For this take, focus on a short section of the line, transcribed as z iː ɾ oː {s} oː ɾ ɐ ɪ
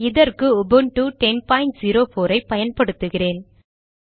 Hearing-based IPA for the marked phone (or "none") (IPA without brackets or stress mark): f